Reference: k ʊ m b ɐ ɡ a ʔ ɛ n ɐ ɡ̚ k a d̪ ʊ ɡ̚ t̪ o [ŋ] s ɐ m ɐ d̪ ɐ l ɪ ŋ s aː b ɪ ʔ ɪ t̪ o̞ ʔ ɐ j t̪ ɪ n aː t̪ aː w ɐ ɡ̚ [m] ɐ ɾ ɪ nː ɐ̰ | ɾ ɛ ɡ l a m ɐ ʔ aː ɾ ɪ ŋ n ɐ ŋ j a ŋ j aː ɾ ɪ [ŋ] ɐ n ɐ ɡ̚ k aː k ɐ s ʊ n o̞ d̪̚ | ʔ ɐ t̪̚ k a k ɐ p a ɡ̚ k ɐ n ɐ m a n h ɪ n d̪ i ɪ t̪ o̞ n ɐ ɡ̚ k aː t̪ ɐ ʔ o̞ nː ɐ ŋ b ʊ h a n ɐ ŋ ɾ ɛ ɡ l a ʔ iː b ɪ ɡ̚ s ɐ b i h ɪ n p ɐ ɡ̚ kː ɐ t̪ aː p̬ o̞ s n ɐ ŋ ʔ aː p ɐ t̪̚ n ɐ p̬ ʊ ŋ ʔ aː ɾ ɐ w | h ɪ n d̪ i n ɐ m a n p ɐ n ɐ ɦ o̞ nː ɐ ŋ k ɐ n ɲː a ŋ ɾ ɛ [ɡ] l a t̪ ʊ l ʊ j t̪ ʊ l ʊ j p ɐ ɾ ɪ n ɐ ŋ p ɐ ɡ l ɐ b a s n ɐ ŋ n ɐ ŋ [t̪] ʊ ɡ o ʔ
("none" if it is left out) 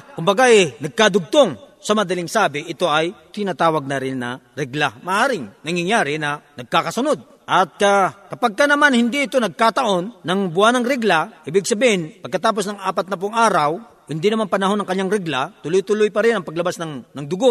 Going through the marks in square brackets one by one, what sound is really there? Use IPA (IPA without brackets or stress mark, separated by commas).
ŋ, n, n, ɡ, d̪